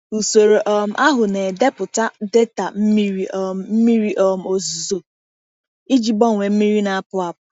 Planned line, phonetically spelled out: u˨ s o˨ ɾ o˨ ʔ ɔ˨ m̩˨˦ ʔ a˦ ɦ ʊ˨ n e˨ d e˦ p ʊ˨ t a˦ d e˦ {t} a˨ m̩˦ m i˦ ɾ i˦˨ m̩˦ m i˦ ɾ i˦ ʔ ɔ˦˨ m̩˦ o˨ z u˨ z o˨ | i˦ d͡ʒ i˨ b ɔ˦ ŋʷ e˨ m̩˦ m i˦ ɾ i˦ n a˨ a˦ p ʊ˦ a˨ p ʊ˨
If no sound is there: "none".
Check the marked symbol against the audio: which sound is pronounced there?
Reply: t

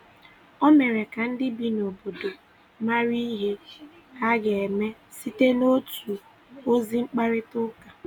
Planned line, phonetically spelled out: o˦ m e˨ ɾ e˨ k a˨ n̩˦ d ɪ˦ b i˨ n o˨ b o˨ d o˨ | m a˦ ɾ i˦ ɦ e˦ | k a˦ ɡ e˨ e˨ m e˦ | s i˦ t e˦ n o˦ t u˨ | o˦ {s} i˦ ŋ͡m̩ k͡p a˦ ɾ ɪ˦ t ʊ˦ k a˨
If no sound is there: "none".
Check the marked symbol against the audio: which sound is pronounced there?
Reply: z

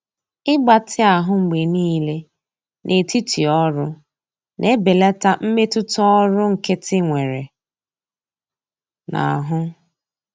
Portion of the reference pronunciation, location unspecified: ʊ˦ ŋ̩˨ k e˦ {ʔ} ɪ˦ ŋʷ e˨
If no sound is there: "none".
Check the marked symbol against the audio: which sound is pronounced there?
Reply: t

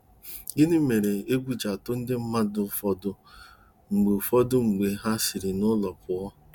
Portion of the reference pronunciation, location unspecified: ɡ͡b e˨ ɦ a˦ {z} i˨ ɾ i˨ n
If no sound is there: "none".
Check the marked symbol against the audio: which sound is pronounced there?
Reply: s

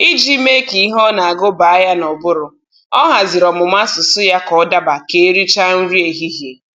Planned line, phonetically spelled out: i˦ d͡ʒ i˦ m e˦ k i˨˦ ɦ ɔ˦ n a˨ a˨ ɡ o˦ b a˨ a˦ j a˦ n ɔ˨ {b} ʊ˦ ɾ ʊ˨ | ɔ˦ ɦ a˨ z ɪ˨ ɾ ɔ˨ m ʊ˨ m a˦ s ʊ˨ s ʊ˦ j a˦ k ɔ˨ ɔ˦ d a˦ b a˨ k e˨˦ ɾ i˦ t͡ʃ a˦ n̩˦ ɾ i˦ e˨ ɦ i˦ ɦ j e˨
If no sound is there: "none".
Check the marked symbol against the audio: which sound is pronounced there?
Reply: b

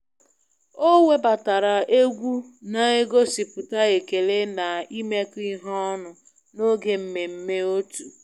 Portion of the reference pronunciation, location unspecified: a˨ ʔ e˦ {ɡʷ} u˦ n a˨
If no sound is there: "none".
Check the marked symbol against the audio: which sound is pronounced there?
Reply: ɡʷ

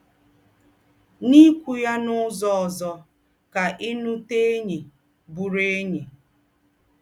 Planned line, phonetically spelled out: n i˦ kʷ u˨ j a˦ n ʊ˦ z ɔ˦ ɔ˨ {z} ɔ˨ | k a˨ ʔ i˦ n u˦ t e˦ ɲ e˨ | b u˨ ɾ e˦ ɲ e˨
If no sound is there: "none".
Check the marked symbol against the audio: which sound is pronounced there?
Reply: z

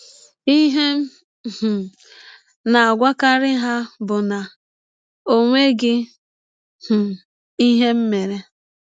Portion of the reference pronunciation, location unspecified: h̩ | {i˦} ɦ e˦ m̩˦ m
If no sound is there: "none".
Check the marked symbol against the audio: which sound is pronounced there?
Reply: i˦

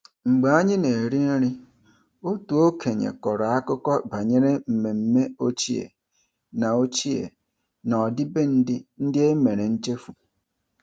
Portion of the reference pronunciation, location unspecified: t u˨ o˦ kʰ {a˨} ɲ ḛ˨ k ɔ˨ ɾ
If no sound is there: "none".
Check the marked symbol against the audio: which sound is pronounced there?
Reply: e˨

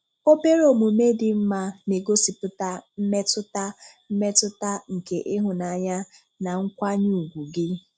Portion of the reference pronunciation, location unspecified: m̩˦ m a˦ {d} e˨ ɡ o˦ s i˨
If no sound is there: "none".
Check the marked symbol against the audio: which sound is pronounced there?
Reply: n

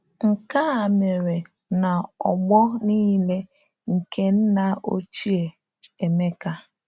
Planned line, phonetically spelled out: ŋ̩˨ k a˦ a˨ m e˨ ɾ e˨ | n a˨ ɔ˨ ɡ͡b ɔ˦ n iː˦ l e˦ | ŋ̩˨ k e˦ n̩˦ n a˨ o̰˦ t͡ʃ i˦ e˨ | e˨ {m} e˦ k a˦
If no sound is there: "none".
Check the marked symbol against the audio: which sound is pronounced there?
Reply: m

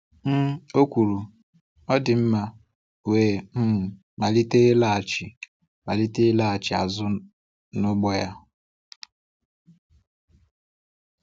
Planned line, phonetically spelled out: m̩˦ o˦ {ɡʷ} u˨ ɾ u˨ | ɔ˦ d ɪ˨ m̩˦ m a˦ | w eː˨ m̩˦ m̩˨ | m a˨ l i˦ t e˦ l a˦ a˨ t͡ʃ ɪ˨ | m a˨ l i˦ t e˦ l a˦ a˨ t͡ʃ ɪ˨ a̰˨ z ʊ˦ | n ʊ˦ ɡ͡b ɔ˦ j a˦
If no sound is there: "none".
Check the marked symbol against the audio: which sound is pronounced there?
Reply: kʷ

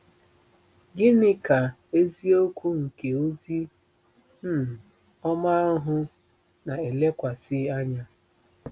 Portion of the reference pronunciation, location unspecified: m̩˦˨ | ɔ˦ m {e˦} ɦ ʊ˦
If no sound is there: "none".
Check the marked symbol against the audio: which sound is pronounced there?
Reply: a˦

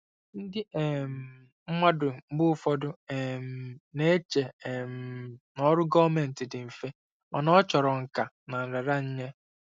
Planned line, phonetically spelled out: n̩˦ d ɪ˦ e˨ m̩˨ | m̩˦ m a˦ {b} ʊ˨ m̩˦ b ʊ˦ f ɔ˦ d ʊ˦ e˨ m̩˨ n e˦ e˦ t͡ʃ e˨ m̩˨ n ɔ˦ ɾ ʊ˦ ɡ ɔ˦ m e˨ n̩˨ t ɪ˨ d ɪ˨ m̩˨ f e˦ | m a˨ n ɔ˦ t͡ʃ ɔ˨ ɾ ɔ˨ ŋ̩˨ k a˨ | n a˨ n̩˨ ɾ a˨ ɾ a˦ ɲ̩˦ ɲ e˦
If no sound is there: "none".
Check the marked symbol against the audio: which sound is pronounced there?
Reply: d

